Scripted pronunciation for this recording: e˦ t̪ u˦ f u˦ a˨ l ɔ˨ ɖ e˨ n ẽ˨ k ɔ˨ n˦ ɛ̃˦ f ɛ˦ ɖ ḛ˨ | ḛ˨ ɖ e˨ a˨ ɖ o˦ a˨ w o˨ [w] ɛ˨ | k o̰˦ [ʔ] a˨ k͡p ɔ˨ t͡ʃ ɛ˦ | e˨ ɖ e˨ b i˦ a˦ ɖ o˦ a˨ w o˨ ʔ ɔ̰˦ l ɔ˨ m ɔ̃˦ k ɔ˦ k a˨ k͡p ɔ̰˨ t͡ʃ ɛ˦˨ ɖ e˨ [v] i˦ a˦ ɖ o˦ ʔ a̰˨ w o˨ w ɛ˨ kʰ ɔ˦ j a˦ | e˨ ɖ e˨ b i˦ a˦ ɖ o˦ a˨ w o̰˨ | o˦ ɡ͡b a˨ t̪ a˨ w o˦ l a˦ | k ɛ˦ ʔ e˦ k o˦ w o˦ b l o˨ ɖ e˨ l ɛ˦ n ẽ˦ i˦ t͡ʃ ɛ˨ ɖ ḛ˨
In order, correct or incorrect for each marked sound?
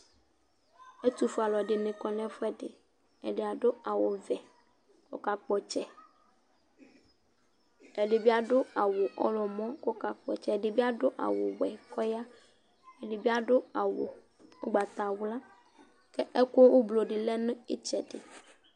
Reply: incorrect: v, incorrect: k, incorrect: b

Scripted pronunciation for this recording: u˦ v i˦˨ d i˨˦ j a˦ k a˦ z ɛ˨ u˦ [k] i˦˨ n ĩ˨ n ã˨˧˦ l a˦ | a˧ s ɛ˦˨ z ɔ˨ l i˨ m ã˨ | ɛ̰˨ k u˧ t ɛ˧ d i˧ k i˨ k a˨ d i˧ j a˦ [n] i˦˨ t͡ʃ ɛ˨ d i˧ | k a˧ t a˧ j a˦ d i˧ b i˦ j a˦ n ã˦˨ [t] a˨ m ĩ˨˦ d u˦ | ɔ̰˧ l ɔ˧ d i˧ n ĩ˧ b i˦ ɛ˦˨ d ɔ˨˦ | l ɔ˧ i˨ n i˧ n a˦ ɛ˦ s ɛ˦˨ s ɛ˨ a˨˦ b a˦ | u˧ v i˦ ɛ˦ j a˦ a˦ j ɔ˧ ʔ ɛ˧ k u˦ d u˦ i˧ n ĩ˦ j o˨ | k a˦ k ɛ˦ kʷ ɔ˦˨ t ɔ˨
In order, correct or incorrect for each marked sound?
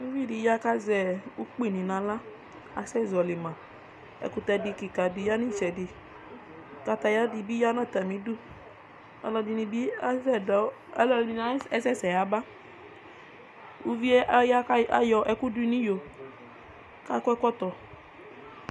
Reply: incorrect: k͡p, correct, correct

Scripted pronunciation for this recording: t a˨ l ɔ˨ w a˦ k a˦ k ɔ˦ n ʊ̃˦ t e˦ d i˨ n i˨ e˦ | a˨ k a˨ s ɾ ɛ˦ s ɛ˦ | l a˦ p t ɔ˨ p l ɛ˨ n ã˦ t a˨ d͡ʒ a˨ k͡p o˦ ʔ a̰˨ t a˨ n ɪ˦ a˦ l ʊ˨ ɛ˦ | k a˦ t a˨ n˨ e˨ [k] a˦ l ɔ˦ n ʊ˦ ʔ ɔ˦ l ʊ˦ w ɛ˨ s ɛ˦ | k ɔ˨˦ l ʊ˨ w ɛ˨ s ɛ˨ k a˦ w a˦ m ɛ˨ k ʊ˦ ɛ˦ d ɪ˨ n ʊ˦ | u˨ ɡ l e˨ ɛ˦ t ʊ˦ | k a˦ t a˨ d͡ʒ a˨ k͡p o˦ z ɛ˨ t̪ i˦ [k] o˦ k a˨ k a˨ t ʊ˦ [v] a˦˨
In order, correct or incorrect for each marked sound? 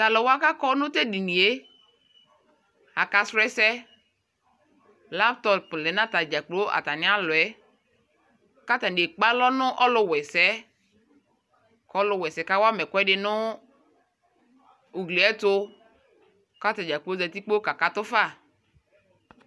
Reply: incorrect: k͡p, incorrect: k͡p, incorrect: f

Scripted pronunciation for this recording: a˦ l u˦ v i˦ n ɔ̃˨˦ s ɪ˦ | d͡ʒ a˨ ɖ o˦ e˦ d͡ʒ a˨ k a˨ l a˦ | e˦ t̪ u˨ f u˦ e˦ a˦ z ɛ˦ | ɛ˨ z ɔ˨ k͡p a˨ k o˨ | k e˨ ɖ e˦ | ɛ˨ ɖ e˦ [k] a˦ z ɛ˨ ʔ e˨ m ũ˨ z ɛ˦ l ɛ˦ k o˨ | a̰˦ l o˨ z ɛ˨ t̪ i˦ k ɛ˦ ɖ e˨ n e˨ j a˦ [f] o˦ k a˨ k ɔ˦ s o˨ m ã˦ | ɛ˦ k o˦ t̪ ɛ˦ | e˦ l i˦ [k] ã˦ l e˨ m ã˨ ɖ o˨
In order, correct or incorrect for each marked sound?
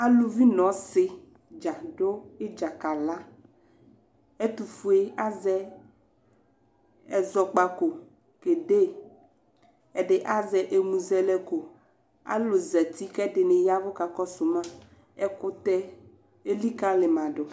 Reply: incorrect: ʔ, incorrect: v, correct

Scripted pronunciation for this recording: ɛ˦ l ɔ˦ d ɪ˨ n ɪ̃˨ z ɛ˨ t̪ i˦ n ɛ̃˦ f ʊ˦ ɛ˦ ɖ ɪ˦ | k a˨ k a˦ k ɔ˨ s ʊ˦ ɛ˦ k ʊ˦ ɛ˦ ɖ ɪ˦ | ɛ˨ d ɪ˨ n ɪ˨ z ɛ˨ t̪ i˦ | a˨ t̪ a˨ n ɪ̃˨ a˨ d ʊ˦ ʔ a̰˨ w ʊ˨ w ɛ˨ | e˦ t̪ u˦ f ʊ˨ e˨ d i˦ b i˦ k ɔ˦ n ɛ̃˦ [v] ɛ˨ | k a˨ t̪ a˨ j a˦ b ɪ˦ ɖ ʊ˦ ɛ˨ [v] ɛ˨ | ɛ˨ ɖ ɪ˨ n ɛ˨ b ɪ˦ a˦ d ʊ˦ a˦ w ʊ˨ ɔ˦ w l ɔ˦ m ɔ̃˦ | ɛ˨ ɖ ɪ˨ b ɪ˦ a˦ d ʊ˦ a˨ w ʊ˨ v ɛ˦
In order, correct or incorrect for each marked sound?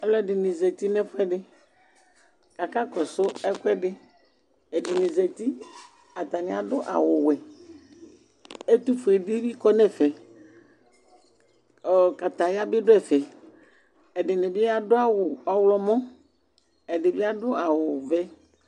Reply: incorrect: f, incorrect: f

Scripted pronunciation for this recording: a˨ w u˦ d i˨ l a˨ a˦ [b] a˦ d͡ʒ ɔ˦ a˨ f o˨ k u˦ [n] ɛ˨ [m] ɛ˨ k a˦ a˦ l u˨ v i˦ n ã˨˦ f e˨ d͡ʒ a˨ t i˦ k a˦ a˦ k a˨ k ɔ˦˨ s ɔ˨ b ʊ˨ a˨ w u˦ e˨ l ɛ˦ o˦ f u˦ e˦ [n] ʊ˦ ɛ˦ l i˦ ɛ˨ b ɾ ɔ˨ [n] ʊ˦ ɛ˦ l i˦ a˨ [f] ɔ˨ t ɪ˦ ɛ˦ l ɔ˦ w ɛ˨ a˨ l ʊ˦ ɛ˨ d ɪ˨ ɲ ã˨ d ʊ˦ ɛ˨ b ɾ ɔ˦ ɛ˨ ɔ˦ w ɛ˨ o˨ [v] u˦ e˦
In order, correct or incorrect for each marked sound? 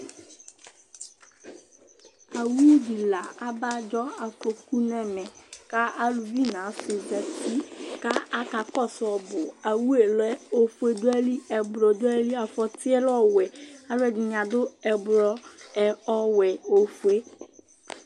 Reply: correct, correct, correct, incorrect: d, incorrect: d, correct, incorrect: f

